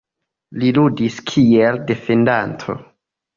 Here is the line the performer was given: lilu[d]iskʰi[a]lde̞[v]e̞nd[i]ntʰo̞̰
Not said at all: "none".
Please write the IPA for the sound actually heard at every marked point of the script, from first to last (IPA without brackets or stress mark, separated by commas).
d, e, f, a